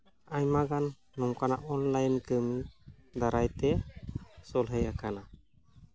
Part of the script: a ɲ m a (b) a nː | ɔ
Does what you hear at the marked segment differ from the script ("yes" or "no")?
yes